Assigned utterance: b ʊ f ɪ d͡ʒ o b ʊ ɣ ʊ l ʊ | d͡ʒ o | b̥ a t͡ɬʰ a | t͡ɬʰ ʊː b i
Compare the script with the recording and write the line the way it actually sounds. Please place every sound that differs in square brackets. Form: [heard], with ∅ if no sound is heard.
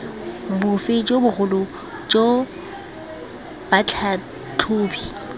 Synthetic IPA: b ʊ f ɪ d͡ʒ o b ʊ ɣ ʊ l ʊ | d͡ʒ o | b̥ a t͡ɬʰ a | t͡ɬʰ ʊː b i